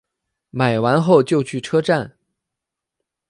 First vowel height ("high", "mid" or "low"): low